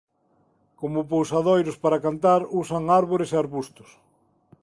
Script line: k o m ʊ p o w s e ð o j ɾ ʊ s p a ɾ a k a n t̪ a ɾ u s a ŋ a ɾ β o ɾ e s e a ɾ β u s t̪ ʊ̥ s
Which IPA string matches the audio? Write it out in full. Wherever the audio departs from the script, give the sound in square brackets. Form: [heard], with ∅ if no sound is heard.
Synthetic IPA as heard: k o m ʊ p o w s [a] ð o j ɾ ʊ s p a ɾ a k a n t̪ a ɾ u s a ŋ a ɾ β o ɾ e s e a ɾ β u s t̪ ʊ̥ s